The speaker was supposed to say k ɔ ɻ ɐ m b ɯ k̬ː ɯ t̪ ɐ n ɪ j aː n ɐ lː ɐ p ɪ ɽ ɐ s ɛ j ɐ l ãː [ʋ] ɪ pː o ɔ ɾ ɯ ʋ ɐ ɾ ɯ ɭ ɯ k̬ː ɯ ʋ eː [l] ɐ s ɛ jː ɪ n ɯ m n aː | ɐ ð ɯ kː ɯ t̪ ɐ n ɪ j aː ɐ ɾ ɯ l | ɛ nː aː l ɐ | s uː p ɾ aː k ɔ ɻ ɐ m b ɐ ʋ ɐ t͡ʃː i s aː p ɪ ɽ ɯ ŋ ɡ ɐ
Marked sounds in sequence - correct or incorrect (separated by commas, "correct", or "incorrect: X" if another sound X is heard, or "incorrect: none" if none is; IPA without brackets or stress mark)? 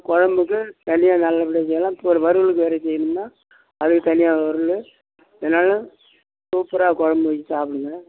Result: incorrect: none, incorrect: ɾ